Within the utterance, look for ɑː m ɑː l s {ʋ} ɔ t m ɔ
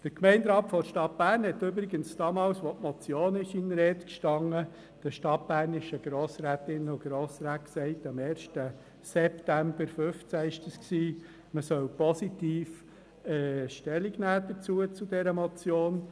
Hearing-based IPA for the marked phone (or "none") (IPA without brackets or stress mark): ʋ